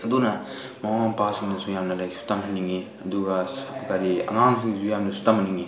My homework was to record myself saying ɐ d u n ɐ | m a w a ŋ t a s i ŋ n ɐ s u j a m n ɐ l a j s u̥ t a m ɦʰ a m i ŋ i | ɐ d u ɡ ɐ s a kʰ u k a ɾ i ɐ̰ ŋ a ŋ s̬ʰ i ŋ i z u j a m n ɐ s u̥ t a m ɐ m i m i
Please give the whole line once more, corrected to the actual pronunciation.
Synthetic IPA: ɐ d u n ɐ | m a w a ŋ p a s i ŋ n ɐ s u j a m n ɐ l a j s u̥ t a m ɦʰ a n i ŋ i | ɐ d u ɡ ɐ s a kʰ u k a ɾ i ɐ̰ ŋ a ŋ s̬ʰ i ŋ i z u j a m n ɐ s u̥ t a m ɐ n i ŋ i